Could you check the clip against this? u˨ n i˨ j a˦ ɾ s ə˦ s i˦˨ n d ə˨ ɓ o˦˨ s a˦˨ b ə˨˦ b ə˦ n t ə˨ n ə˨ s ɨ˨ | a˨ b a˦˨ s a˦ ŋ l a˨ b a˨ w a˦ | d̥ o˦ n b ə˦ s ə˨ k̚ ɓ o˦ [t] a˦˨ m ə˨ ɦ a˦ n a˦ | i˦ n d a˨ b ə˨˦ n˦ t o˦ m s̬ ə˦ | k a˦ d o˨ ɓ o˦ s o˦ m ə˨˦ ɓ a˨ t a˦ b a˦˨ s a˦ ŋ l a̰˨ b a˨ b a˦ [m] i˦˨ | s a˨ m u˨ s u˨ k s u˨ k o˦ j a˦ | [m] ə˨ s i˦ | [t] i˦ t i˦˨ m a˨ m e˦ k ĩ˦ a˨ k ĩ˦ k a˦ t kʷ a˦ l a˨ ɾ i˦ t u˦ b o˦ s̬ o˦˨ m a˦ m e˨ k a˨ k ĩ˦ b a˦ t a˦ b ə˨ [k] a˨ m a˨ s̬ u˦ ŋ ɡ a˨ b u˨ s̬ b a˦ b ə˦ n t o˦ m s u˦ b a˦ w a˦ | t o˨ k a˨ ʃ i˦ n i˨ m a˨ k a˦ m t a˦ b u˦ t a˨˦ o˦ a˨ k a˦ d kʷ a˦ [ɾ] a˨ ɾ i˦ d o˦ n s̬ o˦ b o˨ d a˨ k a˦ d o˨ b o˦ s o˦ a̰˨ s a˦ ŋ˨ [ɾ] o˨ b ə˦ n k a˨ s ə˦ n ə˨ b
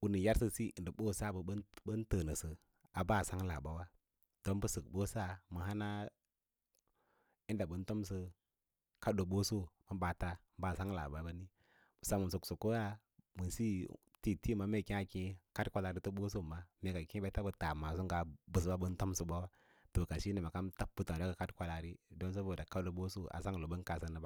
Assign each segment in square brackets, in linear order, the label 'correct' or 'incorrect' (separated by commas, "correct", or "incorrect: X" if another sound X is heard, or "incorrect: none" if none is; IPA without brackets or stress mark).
incorrect: s, incorrect: n, correct, correct, incorrect: t, incorrect: l, incorrect: l